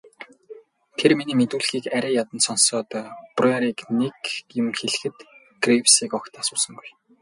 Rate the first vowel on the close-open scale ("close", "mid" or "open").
mid